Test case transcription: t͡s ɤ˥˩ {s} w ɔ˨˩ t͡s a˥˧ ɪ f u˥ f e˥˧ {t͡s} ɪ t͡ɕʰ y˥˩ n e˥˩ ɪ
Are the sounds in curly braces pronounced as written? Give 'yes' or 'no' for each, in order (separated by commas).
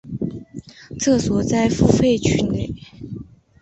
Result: yes, no